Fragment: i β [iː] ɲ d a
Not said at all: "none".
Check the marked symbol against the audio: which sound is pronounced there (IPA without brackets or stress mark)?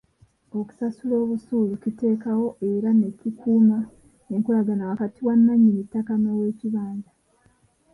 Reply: aː